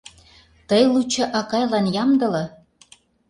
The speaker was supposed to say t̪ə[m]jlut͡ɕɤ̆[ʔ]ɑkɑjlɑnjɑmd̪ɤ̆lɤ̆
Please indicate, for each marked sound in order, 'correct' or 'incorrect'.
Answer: incorrect: none, correct

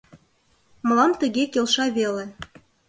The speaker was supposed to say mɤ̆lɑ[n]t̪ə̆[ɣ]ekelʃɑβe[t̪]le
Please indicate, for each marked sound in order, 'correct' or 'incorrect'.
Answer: incorrect: m, correct, incorrect: none

